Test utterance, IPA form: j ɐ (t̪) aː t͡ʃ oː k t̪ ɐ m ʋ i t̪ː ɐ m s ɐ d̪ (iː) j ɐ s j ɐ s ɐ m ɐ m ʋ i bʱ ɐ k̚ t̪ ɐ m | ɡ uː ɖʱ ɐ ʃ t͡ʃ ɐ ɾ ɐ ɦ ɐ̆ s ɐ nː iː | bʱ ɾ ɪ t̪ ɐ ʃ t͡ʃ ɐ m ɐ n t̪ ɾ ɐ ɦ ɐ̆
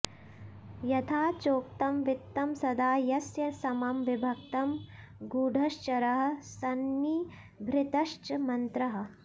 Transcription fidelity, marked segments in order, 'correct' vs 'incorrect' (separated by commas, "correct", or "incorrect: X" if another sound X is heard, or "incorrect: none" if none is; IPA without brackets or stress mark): incorrect: t̪ʰ, incorrect: aː